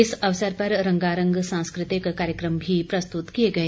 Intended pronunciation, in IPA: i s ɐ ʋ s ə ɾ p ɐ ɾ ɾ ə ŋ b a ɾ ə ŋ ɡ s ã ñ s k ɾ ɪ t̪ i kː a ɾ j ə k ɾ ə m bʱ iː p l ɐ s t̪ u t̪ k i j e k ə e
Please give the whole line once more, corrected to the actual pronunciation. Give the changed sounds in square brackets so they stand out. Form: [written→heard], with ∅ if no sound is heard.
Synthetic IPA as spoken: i s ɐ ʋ s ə ɾ p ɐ ɾ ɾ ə ŋ [b→ɡ] a ɾ ə ŋ ɡ s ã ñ s k ɾ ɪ t̪ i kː a ɾ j ə k ɾ ə m bʱ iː p [l→ɾ] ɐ s t̪ u t̪ k i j e [k→ɡ] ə e